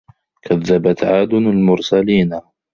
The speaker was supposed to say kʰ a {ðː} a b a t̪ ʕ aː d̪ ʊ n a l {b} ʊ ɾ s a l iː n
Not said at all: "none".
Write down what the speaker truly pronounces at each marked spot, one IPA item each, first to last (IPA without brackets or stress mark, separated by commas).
ðː, m